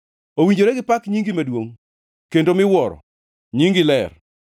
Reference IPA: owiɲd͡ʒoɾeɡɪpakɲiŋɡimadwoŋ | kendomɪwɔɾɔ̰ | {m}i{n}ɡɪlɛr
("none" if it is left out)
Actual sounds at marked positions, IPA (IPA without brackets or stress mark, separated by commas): ɲ, ŋ